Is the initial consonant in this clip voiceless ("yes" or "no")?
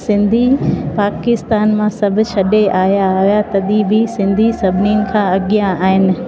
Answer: yes